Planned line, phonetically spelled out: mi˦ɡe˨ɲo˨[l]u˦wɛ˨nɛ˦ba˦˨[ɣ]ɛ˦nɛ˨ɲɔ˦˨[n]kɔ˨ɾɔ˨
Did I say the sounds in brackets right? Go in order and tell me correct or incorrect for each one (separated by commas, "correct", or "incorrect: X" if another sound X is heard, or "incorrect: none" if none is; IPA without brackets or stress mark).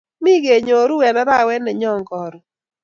incorrect: ɾ, incorrect: w, incorrect: ŋ